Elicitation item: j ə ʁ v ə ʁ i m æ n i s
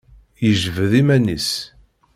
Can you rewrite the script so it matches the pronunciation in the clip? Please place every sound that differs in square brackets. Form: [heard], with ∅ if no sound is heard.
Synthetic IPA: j ə [ʒ] v ə [ð] i m æ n i s